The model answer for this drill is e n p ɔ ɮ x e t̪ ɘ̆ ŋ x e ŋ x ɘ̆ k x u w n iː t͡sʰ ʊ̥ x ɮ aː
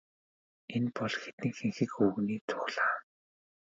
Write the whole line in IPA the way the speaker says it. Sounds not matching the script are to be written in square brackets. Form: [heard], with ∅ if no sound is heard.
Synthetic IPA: e n p ɔ ɮ x e t̪ ɘ̆ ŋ x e ŋ x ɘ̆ k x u [ɣ] n iː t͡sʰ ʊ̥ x ɮ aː